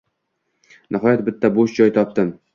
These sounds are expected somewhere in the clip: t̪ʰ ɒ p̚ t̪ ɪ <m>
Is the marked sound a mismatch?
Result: no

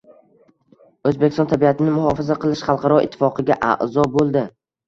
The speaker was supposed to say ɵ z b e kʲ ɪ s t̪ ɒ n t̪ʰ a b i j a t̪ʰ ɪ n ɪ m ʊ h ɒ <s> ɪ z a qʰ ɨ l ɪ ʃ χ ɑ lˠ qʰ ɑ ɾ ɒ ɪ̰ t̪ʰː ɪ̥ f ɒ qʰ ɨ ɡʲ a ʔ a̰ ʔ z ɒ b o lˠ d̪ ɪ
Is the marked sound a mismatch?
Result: yes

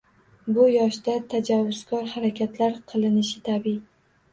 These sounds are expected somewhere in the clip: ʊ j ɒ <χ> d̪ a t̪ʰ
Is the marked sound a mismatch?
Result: yes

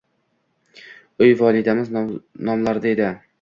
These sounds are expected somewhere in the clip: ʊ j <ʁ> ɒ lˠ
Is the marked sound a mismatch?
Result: yes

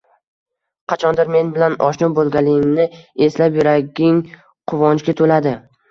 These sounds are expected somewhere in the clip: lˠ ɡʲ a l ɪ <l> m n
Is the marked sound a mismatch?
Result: yes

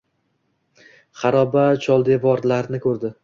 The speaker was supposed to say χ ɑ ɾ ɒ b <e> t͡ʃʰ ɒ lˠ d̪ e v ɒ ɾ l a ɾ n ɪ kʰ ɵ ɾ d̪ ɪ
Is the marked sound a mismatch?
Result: yes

